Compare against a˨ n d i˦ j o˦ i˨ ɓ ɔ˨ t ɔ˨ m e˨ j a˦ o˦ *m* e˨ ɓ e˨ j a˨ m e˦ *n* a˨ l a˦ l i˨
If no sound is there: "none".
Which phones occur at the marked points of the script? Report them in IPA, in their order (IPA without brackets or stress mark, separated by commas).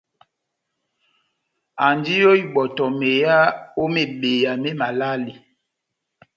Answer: m, m